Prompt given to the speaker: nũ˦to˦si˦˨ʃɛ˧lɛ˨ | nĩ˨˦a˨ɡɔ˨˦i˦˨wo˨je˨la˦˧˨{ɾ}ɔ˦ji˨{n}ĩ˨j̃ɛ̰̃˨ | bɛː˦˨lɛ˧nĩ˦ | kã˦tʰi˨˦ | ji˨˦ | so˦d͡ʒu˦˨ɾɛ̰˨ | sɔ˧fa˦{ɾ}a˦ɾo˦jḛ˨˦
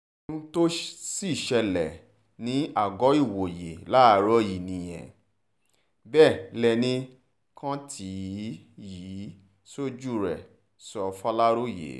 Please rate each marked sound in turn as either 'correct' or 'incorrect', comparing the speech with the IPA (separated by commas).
correct, correct, incorrect